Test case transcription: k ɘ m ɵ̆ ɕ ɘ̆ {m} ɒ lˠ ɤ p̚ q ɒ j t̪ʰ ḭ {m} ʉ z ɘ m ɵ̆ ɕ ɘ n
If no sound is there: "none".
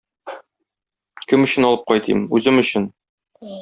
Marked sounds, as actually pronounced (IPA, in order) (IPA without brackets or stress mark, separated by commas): n, m